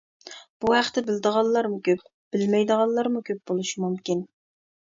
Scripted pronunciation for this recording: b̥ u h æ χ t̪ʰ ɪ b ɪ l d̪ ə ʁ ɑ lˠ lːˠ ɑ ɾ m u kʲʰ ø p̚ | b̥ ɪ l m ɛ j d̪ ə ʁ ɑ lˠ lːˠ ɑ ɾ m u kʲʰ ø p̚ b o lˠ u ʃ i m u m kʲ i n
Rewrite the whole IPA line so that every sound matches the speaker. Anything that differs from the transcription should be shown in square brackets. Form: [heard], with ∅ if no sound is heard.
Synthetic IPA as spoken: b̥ u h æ χ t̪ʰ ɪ b ɪ l d̪ ə ʁ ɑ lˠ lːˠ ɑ ɾ m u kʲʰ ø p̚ | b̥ ɪ l m ɛ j d̪ ə ʁ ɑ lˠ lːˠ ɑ ɾ m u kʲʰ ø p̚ b o lˠ u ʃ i m u m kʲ i n

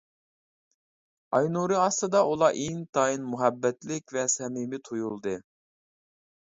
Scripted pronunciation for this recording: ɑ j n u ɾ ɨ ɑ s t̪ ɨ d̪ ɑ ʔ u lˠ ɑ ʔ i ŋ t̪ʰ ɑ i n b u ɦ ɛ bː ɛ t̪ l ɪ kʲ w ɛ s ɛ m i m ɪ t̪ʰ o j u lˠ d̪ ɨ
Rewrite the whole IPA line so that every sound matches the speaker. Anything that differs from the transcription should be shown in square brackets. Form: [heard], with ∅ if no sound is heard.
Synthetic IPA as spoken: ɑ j n u ɾ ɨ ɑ s t̪ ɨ d̪ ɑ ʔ u lˠ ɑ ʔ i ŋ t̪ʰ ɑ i n [m] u ɦ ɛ bː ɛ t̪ l ɪ kʲ [v] ɛ s ɛ m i m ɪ t̪ʰ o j u lˠ d̪ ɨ

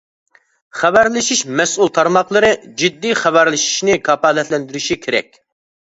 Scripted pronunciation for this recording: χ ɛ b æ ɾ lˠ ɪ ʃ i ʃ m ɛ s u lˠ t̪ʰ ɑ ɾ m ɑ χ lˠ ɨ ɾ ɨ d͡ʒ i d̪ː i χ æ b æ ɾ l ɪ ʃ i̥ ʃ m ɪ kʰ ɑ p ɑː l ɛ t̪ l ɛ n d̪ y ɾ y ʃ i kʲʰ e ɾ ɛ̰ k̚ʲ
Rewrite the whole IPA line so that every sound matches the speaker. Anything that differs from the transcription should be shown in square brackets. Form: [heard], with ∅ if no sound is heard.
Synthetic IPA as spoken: χ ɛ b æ ɾ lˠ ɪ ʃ i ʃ m ɛ s u lˠ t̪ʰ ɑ ɾ m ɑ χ lˠ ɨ ɾ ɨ d͡ʒ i d̪ː i χ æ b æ ɾ l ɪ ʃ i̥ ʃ [n] ɪ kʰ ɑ p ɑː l ɛ t̪ l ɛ n d̪ y ɾ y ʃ i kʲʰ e ɾ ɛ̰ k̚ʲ

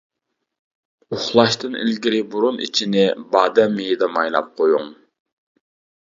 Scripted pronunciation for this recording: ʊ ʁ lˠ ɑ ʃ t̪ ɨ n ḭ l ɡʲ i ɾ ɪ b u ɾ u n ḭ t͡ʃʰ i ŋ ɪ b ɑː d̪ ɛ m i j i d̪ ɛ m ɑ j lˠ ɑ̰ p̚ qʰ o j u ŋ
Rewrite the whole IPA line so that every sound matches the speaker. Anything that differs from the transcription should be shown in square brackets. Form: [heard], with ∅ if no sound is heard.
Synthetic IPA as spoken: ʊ [χ] lˠ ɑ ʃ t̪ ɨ n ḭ l ɡʲ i ɾ ɪ b u ɾ u n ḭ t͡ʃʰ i [n] ɪ b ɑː d̪ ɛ m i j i d̪ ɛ m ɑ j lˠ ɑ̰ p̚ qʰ o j u ŋ

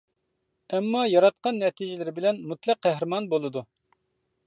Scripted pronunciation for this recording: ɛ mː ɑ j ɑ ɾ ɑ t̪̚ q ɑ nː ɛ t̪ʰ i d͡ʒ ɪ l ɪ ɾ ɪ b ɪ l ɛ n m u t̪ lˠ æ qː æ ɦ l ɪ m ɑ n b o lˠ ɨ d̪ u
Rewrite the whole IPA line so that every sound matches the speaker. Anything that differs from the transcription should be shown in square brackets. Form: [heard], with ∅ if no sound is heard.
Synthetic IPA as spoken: ɛ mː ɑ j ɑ ɾ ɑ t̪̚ q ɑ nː ɛ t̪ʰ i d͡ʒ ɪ l ɪ ɾ ɪ b ɪ l ɛ n m u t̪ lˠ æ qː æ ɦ [ɾ] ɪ m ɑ n b o lˠ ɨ d̪ u

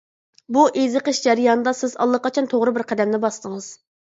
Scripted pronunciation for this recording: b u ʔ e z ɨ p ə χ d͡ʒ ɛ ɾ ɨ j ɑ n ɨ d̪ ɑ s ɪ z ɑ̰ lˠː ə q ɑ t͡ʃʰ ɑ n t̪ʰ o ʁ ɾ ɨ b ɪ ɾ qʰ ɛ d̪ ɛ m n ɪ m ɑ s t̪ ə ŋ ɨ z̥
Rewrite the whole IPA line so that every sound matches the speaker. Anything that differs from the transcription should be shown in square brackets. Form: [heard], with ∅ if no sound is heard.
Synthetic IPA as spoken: b u ʔ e z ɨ [q] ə [ʃ] d͡ʒ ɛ ɾ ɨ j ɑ n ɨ d̪ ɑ s ɪ z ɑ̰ lˠː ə q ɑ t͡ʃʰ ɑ n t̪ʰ o ʁ ɾ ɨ b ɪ ɾ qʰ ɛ d̪ ɛ m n ɪ [b] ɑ s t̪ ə ŋ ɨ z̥

